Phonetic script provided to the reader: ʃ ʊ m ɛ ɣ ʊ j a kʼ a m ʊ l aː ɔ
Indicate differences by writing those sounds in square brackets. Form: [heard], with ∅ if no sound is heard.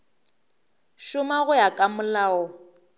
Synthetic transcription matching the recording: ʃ ʊ m [a] ɣ ʊ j a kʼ a m ʊ l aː ɔ

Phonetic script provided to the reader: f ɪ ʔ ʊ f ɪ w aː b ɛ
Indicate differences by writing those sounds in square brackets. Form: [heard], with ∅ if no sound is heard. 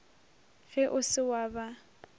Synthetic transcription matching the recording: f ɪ ʔ ʊ [s] ɪ w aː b [a]

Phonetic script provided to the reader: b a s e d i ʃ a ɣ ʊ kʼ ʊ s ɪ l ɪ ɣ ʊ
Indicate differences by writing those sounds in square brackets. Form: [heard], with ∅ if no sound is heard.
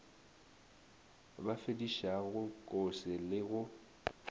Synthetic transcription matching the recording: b a [f] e d i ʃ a ɣ ʊ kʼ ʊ s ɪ l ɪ ɣ ʊ

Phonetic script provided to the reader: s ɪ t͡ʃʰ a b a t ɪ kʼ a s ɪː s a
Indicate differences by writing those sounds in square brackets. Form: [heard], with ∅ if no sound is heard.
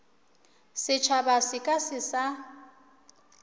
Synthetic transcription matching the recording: s ɪ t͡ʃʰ a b a [s] ɪ kʼ a s [ɪ] s a

